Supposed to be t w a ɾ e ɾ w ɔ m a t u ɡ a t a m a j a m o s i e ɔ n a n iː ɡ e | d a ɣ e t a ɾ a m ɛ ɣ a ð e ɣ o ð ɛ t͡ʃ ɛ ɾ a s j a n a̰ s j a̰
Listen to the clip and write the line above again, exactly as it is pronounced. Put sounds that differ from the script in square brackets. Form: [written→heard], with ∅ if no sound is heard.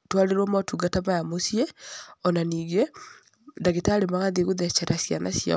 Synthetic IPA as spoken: t w a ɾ e ɾ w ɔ m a t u ɡ a t a m a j a m o s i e ɔ n a n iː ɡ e | d a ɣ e t a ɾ [a→e] m [ɛ→a] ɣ a ð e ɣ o ð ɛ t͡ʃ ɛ ɾ a s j a n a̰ s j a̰